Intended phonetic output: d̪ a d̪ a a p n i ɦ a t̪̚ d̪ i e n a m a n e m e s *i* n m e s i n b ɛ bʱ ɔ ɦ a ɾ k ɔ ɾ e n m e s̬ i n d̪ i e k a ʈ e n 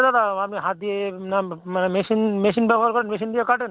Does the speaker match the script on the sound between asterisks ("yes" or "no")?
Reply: yes